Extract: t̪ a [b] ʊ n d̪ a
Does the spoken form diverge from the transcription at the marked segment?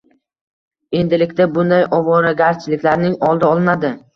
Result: no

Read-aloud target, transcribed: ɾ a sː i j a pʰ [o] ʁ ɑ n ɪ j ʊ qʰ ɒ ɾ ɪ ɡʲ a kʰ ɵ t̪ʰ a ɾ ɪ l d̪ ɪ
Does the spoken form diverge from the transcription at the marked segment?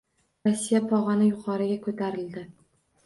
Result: yes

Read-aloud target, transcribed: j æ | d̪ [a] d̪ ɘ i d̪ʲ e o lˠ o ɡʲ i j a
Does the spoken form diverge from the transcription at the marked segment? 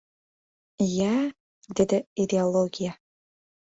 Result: yes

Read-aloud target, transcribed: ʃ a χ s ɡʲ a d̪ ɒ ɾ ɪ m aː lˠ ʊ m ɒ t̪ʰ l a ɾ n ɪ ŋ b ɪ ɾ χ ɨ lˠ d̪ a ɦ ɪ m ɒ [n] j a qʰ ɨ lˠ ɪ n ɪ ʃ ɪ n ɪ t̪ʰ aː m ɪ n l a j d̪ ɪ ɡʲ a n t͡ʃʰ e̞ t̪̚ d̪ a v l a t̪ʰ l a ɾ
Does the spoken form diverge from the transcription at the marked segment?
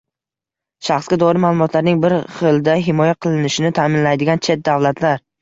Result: yes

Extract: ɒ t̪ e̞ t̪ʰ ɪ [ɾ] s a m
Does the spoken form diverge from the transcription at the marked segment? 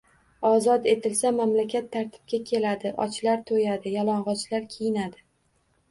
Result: yes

